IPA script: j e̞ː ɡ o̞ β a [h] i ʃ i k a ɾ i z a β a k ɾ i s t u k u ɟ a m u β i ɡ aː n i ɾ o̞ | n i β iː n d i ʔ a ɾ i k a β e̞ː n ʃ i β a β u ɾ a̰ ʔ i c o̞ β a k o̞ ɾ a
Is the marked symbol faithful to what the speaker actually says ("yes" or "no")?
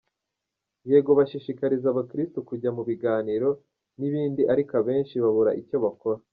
no